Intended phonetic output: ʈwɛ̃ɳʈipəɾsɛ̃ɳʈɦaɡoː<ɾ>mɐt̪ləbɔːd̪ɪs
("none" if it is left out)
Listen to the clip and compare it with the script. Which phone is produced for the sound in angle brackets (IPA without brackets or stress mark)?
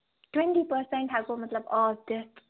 none